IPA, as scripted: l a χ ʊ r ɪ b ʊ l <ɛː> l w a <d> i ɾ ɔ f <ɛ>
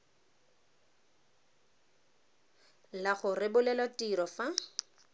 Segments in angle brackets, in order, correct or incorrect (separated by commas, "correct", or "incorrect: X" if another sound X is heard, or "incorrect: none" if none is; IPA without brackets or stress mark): incorrect: ɛ, incorrect: t, incorrect: a